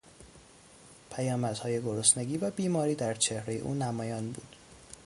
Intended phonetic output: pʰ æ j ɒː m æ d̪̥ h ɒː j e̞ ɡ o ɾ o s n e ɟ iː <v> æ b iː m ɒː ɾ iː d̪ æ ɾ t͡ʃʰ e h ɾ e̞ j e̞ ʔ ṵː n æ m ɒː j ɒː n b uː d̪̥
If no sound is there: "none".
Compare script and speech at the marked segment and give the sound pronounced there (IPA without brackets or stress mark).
v